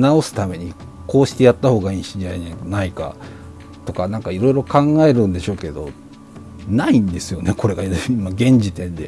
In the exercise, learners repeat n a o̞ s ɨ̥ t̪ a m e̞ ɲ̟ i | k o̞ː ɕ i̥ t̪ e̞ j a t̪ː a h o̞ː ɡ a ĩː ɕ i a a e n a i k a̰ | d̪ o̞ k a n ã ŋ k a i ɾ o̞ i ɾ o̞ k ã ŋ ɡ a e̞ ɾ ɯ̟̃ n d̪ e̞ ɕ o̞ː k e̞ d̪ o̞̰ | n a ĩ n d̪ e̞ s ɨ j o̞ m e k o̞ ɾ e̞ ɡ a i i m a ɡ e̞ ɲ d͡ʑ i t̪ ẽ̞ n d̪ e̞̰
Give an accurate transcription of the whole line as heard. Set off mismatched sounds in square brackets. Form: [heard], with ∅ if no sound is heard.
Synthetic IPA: n a o̞ s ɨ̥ t̪ a m e̞ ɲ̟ i | k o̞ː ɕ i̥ t̪ e̞ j a t̪ː a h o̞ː ɡ a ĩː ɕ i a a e n a i k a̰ | [t̪] o̞ k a n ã ŋ k a i ɾ o̞ i ɾ o̞ k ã ŋ ɡ a e̞ ɾ ɯ̟̃ n d̪ e̞ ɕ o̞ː k e̞ d̪ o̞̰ | n a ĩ n d̪ e̞ s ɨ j o̞ [n] e k o̞ ɾ e̞ ɡ a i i m a ɡ [ẽ̞] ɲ d͡ʑ i t̪ ẽ̞ n d̪ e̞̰